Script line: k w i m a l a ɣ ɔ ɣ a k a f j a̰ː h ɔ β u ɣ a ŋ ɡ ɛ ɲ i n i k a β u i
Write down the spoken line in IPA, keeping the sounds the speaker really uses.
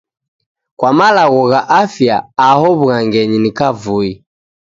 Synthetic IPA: k w a m a l a ɣ ɔ ɣ a ʔ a f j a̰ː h ɔ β u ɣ a ŋ ɡ ɛ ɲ i n i k a v u i